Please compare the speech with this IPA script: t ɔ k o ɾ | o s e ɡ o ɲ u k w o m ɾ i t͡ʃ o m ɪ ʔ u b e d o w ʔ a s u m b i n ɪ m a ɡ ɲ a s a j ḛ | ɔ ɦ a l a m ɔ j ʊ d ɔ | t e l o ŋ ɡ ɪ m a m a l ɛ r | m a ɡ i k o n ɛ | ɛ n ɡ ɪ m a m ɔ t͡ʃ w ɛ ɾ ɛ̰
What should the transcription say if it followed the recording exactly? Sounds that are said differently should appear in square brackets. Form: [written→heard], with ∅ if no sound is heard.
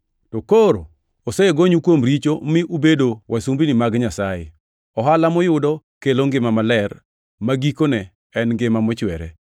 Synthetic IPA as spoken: t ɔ k o ɾ | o s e ɡ o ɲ u k w o m ɾ i t͡ʃ o m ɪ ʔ u b e d o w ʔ a s u m b i n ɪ m a ɡ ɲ a s a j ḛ | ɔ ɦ a l a m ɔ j ʊ d ɔ | [t→k] e l o ŋ ɡ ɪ m a m a l ɛ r | m a ɡ i k o n ɛ | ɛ n ɡ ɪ m a m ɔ t͡ʃ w ɛ ɾ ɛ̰